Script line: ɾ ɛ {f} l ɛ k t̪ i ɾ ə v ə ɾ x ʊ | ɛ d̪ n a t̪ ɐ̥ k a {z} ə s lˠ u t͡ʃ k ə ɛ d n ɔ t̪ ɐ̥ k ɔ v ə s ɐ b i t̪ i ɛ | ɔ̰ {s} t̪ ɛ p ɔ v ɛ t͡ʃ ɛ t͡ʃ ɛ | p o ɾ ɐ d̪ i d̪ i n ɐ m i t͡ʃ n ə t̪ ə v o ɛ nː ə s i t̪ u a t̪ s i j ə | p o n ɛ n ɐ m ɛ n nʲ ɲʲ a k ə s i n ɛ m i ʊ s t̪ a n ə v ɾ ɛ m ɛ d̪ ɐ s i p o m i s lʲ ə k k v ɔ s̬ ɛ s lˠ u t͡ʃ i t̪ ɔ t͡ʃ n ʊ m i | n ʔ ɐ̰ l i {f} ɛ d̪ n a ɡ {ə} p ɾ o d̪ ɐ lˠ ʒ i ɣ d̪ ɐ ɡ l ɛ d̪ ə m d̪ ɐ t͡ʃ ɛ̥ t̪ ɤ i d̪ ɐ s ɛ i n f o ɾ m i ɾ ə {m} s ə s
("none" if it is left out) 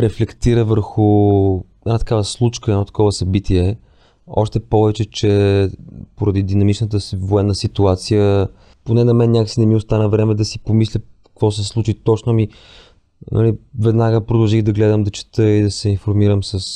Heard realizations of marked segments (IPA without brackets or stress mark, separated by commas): f, v, ʃ, v, ə, m